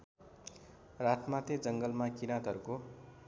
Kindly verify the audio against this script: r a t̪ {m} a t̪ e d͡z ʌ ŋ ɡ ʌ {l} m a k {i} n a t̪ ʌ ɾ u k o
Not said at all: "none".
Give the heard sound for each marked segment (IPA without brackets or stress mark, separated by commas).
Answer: m, l, i